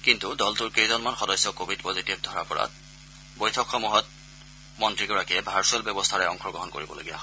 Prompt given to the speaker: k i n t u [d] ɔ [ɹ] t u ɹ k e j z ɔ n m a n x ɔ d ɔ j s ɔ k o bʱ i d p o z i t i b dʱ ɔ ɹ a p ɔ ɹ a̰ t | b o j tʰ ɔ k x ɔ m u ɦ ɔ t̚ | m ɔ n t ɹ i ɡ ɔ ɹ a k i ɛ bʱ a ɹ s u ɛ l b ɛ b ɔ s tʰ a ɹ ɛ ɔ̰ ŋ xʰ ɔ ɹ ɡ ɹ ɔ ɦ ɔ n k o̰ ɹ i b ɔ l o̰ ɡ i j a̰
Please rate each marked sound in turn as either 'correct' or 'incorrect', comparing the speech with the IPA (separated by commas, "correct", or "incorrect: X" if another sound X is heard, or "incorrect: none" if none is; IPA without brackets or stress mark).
correct, incorrect: l